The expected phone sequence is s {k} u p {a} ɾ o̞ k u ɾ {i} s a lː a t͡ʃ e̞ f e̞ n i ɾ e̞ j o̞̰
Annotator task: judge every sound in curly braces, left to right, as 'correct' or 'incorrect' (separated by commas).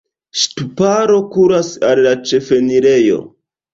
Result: incorrect, correct, incorrect